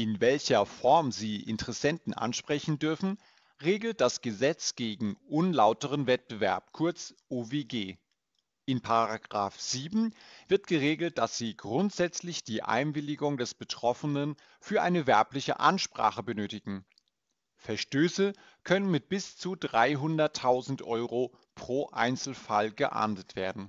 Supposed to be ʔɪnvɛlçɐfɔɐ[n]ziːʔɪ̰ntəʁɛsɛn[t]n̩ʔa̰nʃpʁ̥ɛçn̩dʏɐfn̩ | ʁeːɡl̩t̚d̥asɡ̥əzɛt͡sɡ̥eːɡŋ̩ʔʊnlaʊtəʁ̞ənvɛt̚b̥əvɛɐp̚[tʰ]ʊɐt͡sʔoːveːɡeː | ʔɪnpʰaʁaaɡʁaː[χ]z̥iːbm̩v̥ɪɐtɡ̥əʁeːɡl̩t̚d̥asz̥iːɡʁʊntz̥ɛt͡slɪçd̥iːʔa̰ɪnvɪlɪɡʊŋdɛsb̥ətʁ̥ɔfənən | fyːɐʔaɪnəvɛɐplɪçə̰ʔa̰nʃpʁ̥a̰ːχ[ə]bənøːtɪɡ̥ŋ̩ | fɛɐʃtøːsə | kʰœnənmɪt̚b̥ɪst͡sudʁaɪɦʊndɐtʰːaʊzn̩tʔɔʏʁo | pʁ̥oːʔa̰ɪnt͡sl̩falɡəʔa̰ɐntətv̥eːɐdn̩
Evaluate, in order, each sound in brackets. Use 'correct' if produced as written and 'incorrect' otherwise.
incorrect: m, correct, incorrect: kʰ, incorrect: f, correct

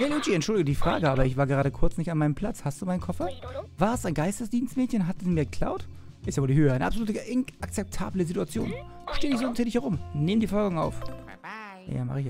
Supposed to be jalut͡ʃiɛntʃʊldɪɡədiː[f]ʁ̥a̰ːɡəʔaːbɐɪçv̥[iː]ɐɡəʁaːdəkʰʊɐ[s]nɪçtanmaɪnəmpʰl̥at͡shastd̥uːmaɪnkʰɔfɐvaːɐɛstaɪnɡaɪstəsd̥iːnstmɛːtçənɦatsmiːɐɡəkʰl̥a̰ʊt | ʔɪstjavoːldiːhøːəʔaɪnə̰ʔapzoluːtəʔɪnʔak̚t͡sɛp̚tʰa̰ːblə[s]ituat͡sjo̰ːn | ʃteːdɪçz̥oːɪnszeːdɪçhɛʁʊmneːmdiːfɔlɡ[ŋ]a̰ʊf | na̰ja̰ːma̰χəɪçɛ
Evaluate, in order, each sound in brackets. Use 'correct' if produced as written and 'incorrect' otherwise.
correct, incorrect: aː, incorrect: t͡s, incorrect: z, correct

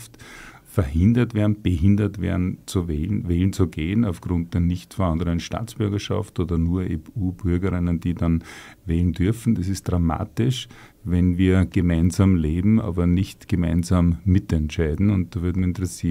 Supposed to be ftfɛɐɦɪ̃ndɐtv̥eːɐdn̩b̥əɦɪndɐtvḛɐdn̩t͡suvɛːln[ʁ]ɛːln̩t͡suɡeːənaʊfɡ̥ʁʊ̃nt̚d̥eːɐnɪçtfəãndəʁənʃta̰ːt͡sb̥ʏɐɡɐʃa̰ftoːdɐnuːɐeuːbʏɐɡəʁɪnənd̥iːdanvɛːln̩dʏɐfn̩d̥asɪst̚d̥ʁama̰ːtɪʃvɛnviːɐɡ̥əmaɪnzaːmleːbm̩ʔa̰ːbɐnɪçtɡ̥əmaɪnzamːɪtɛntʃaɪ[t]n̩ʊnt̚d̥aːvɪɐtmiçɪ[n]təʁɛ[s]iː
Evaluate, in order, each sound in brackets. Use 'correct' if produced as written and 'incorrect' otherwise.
incorrect: v, incorrect: d, correct, correct

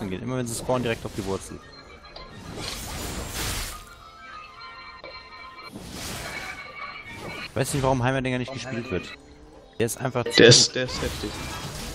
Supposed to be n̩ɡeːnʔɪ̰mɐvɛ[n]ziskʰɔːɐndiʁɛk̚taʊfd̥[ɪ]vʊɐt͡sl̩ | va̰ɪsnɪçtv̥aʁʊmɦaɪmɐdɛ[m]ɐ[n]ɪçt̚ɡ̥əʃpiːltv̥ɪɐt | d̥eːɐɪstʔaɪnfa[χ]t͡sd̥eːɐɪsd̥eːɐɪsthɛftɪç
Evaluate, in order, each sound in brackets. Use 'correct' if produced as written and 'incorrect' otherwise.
correct, incorrect: i, incorrect: ŋ, correct, correct

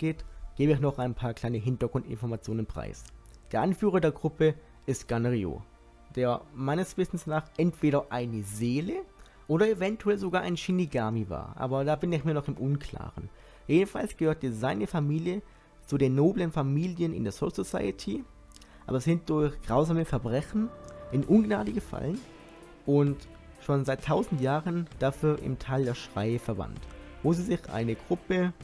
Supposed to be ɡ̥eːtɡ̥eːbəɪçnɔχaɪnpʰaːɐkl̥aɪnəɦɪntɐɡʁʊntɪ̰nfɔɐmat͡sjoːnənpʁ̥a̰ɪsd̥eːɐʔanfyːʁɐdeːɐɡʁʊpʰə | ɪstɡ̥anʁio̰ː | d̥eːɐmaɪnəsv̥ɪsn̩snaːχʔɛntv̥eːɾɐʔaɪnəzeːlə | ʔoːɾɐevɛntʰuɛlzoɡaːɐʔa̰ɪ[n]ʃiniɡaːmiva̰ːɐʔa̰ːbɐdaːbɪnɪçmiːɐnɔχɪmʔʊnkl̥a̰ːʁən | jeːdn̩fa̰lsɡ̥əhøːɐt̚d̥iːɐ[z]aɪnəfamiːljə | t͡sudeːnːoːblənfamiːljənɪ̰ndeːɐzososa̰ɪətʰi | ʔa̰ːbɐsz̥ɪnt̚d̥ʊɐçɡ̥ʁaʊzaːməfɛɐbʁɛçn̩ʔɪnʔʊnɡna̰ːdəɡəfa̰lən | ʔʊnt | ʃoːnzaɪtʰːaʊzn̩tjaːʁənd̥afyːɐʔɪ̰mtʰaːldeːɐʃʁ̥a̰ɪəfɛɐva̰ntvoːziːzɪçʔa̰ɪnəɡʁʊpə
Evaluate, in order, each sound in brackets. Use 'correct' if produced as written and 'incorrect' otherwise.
correct, correct

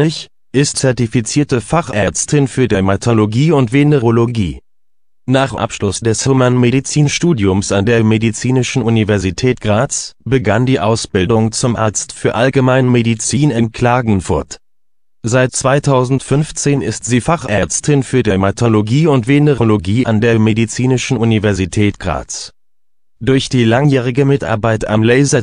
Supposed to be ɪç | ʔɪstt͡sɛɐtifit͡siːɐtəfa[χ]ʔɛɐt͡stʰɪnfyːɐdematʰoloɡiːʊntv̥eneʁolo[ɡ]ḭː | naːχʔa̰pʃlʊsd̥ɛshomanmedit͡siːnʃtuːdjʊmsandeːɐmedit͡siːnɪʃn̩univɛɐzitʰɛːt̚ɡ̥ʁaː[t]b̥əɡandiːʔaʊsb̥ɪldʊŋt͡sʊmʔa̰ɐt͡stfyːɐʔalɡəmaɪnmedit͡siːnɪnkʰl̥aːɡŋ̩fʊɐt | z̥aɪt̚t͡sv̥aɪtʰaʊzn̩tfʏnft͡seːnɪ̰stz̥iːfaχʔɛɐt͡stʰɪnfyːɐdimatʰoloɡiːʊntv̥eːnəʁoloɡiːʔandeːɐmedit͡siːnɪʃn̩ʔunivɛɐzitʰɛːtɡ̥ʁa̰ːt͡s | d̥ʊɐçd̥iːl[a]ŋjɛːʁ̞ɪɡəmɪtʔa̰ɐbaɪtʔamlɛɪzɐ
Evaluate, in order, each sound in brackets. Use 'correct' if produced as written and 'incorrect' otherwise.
correct, correct, incorrect: t͡s, correct

